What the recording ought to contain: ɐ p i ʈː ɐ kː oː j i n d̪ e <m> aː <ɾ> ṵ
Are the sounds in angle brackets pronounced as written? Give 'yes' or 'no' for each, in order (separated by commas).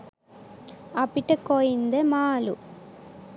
yes, no